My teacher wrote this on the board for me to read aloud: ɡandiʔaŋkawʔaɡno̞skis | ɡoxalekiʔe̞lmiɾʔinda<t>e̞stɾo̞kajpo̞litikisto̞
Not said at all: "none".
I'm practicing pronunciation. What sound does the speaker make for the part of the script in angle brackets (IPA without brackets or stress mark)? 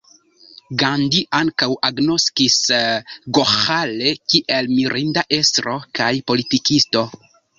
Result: ʔ